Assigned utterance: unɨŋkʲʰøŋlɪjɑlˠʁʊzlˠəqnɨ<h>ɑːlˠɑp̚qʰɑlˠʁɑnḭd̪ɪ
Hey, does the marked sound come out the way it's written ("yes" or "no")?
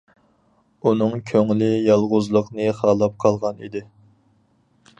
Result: no